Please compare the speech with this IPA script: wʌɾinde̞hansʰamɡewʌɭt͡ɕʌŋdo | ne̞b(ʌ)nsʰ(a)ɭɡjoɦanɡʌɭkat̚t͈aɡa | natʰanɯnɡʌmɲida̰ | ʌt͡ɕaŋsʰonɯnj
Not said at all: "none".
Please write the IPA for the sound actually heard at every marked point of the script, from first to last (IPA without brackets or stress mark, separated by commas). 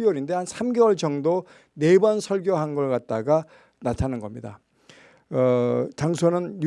ʌ, ʌ